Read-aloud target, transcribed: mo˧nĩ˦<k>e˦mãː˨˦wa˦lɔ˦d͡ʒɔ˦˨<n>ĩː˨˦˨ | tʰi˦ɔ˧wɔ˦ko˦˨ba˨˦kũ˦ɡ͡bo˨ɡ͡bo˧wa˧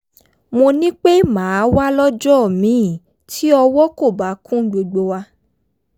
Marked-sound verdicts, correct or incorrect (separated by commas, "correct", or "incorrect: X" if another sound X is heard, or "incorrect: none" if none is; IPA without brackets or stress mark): incorrect: k͡p, incorrect: m